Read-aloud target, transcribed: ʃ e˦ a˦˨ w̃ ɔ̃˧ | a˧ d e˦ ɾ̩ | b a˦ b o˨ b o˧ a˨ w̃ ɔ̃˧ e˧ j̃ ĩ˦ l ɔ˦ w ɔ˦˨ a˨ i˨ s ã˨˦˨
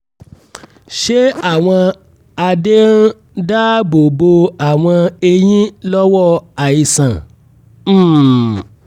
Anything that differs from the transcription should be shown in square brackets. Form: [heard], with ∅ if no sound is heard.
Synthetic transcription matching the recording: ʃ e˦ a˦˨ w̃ ɔ̃˧ | a˧ d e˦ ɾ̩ | [d] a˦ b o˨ b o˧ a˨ w̃ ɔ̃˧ e˧ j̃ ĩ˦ l ɔ˦ w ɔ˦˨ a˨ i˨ s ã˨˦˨